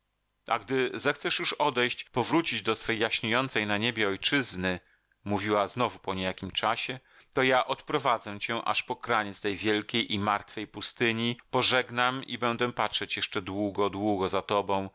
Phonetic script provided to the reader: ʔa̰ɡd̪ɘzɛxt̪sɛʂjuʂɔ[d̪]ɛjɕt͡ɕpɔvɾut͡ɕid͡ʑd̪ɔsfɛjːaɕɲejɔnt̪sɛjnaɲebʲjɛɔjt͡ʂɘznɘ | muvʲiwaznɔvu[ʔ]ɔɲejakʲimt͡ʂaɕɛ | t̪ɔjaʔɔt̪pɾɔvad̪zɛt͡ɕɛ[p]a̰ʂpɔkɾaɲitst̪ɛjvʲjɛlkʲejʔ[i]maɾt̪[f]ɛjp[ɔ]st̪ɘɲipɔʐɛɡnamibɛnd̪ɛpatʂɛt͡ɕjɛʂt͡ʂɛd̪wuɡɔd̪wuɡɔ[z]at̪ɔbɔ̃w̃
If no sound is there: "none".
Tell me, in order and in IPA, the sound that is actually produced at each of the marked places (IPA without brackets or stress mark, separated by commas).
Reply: d̪, p, ʔ, i, f, u, z